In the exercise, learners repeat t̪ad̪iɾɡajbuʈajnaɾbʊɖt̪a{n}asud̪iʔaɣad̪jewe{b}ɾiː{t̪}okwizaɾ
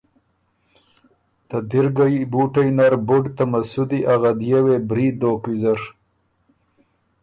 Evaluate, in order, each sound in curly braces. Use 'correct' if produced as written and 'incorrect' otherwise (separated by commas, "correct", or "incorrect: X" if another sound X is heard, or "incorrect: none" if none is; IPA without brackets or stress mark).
incorrect: m, correct, incorrect: d̪